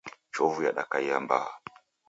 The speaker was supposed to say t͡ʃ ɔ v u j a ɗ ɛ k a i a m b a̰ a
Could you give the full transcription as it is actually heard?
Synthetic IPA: t͡ʃ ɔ v u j a ɗ a k a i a m b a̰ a